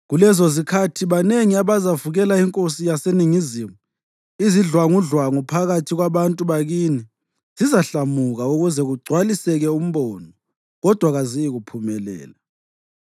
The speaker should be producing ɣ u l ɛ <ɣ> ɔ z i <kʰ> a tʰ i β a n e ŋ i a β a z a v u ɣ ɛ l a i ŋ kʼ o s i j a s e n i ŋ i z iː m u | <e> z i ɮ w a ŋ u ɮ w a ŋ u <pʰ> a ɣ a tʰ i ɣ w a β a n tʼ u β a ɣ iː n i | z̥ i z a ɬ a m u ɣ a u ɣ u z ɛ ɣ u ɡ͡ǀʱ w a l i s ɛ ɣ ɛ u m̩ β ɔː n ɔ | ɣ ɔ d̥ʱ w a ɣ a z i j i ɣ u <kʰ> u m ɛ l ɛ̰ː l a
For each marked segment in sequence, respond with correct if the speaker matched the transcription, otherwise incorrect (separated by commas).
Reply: incorrect, correct, incorrect, correct, incorrect